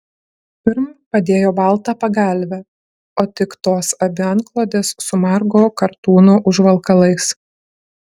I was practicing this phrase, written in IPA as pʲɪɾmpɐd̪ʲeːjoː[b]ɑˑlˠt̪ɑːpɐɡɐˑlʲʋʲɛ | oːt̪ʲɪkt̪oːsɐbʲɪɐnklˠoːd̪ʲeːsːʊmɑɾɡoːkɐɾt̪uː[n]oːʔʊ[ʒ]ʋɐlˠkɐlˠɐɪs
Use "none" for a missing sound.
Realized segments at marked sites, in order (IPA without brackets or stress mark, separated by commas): b, n, ʒ